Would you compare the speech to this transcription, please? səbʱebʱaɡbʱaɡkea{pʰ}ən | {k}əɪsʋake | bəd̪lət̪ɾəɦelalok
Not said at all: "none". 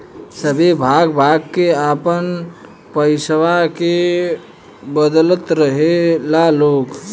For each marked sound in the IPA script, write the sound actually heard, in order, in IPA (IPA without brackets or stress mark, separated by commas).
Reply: p, p